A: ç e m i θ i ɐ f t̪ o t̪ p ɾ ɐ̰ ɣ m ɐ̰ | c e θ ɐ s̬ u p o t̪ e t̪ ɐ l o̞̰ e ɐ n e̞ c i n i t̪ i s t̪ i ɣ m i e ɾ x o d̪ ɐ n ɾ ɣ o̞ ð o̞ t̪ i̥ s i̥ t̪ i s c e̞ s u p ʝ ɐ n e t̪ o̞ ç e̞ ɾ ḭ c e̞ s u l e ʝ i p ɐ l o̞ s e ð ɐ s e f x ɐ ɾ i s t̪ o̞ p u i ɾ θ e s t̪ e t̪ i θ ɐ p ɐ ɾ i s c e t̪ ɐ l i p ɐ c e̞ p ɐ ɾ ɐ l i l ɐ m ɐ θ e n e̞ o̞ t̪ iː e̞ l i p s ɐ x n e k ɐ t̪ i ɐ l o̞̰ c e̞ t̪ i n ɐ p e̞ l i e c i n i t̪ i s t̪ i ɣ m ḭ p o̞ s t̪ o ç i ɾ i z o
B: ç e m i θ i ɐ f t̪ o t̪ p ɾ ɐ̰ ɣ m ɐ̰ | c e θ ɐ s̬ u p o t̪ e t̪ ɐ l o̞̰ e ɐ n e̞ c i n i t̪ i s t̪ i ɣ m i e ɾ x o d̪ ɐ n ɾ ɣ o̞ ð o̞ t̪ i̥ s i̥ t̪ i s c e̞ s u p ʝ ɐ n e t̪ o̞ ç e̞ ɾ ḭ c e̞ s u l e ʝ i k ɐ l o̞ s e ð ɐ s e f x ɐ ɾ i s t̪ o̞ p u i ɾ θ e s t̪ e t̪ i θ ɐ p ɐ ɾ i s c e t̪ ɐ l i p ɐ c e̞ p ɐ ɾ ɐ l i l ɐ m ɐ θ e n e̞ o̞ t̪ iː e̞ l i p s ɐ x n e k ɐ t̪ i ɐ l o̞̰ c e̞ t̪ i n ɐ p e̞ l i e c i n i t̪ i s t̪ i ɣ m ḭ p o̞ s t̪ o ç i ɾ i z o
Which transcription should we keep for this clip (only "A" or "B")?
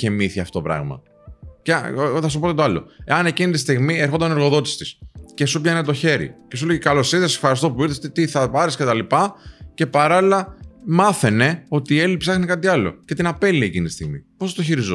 B